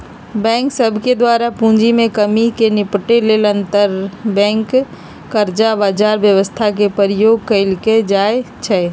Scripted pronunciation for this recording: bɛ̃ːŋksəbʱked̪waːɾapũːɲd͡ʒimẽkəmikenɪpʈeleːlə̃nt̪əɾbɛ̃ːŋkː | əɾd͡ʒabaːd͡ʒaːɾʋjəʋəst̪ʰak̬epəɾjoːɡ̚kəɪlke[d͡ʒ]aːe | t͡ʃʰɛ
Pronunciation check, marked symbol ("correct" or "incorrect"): correct